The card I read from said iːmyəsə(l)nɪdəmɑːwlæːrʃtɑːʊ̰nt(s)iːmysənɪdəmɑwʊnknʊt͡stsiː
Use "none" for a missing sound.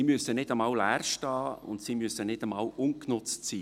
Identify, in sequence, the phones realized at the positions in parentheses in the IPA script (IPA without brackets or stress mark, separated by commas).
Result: none, s